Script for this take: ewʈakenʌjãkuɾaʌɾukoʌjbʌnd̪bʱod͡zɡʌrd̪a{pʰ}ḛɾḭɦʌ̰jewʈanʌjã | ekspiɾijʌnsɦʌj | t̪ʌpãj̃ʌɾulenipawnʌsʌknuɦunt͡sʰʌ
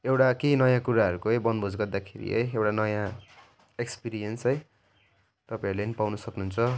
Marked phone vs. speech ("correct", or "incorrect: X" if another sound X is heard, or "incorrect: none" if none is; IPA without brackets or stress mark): incorrect: kʰ